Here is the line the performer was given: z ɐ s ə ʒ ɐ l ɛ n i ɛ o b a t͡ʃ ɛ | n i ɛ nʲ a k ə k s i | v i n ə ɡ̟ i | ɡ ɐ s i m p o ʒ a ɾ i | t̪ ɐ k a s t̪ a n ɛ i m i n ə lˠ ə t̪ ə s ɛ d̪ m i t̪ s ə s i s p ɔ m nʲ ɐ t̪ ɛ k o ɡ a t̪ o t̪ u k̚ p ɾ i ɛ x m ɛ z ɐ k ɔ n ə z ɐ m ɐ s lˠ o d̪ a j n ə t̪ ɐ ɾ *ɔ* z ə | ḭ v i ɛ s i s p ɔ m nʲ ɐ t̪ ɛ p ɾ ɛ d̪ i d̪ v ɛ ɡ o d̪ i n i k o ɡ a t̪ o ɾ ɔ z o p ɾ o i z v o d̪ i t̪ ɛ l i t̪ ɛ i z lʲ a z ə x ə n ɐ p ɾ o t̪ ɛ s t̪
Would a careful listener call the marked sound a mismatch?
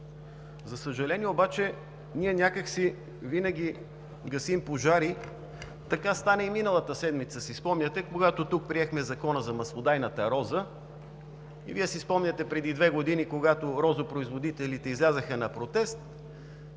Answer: no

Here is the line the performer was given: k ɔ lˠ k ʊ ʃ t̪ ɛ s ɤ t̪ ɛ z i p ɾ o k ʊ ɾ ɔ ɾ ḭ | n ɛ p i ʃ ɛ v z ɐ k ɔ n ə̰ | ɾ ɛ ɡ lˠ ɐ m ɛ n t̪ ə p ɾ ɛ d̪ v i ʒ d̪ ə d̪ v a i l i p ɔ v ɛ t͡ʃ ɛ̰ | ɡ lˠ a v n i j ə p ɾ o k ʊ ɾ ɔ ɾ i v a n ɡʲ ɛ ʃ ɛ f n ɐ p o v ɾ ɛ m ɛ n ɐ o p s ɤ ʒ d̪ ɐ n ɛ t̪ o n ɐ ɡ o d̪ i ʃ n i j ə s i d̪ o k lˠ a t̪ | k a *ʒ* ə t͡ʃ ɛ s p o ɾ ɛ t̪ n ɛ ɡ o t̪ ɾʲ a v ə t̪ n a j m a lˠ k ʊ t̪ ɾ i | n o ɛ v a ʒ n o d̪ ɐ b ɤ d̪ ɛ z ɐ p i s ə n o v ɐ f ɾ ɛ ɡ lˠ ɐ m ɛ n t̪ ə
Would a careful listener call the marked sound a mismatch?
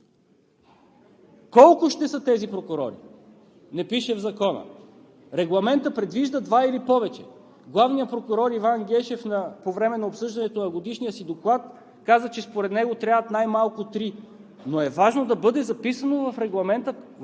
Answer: yes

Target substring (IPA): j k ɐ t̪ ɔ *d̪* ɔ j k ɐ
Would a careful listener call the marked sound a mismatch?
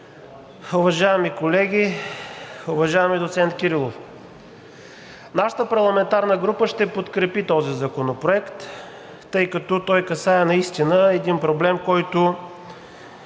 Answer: yes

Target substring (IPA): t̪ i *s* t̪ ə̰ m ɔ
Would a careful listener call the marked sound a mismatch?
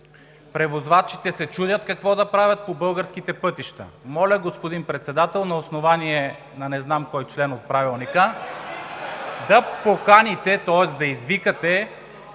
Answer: yes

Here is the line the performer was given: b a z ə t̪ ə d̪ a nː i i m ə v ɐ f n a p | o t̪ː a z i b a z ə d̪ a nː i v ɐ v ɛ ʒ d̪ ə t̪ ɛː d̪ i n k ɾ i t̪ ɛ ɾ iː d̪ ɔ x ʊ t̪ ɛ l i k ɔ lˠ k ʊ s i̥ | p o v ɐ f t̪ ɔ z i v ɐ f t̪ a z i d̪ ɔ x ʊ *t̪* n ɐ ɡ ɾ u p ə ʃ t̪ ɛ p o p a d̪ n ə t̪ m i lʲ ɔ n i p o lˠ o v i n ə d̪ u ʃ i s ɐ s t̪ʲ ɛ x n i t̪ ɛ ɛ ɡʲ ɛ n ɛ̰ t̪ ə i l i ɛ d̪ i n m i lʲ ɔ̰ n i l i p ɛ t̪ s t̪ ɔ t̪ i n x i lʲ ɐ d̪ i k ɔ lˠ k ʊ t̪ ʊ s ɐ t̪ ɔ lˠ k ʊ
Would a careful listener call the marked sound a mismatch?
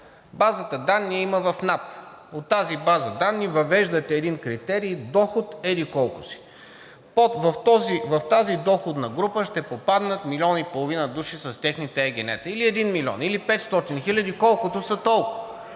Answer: yes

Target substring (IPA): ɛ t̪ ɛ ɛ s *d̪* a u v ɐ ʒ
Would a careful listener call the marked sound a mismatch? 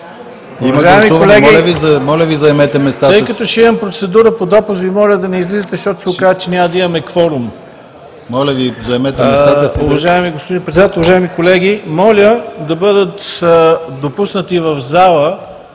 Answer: yes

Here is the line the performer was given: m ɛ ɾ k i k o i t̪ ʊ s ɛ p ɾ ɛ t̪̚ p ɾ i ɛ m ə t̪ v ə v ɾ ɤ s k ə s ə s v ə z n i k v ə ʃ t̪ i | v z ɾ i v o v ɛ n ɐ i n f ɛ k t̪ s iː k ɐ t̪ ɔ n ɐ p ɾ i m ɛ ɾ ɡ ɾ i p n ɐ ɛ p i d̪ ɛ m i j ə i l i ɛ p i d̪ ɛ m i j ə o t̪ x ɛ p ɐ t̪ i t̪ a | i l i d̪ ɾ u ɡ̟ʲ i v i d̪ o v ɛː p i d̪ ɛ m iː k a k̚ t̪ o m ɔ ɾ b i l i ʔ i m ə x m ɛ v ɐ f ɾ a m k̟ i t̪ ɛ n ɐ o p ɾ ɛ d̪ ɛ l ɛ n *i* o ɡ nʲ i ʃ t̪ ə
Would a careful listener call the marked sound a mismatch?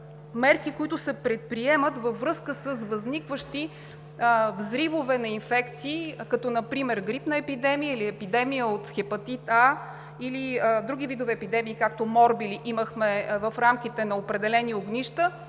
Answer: no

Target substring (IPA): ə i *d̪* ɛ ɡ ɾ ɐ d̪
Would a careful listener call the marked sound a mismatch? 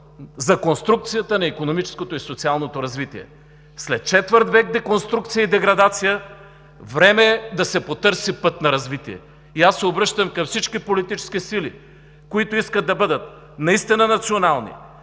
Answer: no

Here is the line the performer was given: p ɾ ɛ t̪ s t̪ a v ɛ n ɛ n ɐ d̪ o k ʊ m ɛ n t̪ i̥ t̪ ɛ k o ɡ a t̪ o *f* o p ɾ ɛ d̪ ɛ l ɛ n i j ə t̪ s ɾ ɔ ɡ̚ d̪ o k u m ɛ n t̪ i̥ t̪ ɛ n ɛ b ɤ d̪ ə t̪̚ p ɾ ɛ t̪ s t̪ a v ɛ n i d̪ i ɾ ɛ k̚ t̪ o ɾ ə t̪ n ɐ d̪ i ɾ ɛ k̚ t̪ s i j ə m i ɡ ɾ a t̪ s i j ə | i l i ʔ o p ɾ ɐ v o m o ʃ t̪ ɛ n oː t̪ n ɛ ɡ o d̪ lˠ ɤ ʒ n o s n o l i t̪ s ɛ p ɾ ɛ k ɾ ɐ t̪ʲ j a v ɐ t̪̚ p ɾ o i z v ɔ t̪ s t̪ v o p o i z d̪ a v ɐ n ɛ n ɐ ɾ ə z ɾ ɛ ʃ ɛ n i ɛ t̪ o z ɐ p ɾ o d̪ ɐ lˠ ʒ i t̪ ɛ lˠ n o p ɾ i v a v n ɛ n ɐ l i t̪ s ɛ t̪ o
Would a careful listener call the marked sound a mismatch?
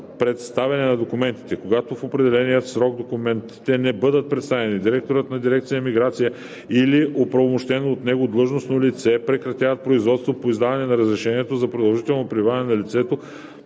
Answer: no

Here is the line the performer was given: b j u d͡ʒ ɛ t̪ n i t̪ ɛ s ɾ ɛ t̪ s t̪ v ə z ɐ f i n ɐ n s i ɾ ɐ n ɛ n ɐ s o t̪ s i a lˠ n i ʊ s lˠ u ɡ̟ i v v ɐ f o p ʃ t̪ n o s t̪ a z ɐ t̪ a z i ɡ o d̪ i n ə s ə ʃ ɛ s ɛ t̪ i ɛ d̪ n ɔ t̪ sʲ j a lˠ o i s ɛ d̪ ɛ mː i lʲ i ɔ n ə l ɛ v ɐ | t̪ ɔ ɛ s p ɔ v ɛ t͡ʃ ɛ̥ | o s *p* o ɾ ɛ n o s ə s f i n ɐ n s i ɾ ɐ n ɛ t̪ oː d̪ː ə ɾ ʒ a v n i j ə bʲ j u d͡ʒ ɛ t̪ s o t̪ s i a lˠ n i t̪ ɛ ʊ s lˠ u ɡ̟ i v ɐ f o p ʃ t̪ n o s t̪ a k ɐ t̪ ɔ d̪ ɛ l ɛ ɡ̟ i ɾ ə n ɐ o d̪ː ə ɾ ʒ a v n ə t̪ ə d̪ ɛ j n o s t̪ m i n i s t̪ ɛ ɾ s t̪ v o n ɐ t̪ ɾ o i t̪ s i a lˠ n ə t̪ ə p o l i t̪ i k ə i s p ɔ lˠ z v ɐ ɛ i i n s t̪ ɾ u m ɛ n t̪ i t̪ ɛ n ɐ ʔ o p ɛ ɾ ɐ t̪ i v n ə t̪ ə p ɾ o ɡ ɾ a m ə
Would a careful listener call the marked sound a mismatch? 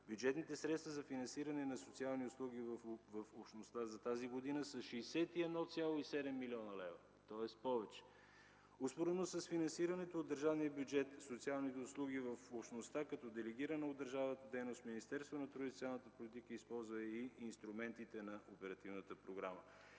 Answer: no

